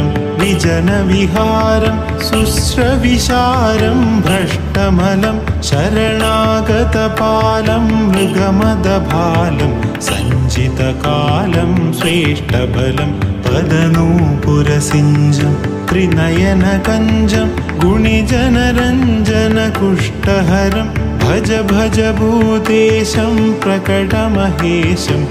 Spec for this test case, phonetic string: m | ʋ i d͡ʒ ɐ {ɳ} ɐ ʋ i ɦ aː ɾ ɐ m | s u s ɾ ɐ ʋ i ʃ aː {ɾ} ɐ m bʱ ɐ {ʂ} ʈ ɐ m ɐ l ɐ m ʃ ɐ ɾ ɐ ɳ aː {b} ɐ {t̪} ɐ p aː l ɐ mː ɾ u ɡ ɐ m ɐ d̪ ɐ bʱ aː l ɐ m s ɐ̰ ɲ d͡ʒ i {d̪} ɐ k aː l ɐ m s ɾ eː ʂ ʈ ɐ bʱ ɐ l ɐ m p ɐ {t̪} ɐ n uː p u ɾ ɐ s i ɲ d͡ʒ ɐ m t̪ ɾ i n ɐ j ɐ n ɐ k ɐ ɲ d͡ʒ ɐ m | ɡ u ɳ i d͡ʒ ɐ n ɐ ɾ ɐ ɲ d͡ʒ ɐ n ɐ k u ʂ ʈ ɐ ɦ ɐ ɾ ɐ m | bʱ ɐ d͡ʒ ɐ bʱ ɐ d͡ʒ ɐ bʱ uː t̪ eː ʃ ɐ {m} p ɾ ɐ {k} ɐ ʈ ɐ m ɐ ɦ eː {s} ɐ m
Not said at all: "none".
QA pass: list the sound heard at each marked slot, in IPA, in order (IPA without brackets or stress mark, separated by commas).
n, ɾ, ʂ, ɡ, t̪, t̪, d̪, m, k, ʃ